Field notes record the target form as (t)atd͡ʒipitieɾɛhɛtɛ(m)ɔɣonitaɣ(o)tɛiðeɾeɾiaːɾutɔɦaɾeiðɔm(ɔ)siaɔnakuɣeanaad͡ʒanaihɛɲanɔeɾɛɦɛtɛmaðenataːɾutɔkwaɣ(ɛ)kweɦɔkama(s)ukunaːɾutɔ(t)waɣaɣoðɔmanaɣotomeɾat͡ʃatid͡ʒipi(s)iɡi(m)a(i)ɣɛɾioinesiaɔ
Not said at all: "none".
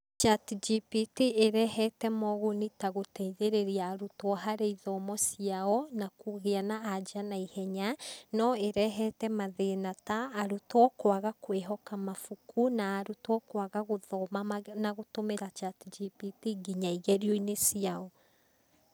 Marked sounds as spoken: t͡ʃ, m, o, ɔ, a, f, k, t, ɲ, i

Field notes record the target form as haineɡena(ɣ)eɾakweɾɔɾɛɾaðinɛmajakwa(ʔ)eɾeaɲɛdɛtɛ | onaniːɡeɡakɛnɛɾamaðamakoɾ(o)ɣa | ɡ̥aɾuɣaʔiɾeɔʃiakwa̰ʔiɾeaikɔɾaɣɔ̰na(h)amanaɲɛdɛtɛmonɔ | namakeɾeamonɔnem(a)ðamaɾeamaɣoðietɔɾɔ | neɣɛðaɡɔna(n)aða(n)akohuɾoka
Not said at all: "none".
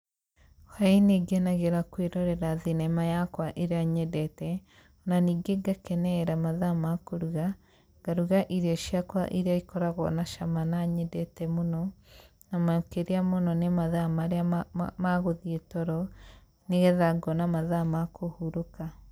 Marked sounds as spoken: ɣ, ʔ, u, ʃ, a, m, m

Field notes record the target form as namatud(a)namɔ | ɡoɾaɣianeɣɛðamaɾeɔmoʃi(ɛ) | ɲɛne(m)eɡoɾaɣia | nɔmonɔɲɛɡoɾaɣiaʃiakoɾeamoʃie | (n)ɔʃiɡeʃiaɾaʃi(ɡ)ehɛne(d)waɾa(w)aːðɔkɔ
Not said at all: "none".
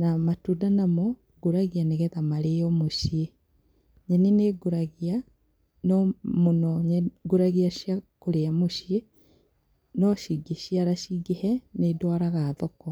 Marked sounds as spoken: a, e, n, n, ɡ, d, ɣ

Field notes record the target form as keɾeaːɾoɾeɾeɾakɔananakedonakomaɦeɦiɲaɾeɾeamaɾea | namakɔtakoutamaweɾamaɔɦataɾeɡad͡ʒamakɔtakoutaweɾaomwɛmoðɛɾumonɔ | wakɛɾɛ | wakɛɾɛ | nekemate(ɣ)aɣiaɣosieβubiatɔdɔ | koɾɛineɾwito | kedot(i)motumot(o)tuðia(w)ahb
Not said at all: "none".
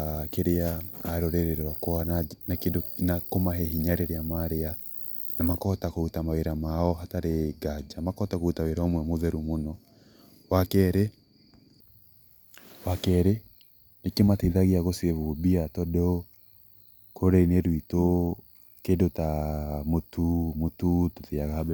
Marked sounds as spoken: ð, a, u, ɣ

